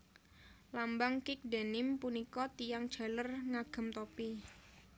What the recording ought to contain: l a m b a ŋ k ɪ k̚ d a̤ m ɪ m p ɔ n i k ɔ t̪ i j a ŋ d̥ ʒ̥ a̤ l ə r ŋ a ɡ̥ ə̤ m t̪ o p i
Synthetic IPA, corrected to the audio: l a m b a ŋ k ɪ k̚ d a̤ n ɪ m p u n i k ɔ t̪ i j a ŋ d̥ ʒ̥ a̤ l ə r ŋ a ɡ̥ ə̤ m t̪ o p i